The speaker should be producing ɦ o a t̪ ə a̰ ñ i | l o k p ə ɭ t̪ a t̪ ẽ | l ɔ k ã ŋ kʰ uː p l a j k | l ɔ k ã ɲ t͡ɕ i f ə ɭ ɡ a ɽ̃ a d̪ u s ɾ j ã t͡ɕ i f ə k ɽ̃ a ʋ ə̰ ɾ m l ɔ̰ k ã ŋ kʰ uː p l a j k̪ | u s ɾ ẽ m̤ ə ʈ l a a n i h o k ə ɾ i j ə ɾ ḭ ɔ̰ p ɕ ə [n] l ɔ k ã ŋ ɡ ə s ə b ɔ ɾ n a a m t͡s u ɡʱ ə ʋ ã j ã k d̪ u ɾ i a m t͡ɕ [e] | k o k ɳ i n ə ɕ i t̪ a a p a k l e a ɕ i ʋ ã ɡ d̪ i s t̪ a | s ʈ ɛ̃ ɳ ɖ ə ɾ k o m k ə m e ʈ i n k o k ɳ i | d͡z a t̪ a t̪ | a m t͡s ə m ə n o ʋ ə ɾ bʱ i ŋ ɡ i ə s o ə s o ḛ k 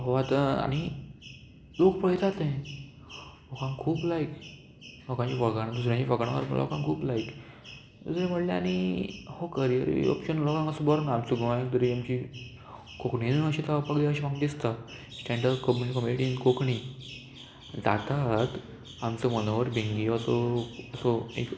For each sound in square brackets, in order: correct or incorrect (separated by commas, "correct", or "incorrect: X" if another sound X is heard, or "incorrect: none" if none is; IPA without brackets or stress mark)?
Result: correct, incorrect: i